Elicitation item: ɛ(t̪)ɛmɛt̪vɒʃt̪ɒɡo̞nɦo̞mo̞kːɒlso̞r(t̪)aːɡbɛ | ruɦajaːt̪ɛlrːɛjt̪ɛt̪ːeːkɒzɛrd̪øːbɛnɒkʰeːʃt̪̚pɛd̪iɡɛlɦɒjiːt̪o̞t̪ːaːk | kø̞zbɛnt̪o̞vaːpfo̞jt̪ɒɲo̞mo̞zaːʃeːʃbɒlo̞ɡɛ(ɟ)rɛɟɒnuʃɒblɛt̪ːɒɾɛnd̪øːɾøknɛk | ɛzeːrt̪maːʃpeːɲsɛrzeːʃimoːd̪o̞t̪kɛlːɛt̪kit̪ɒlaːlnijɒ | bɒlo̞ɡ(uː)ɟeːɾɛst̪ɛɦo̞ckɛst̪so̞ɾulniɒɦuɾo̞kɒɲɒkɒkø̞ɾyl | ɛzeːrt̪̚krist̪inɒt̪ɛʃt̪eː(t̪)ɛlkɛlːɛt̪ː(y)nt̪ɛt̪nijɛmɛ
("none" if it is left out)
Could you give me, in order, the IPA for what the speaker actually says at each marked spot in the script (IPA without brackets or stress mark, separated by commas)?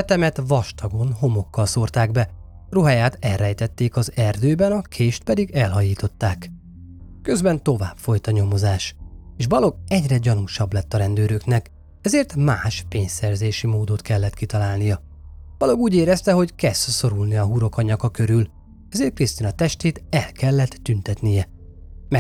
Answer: t̪, t̪, ɟ, uː, t̪, y